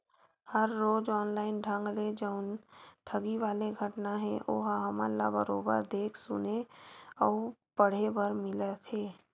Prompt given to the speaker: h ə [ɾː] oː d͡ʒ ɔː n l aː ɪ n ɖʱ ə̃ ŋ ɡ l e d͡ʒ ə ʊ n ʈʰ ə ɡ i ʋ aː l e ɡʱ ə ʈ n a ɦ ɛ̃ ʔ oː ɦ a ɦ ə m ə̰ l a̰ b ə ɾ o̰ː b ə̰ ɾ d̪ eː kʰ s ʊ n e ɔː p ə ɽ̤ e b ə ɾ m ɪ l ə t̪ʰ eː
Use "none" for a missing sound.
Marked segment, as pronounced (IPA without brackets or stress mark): ɾː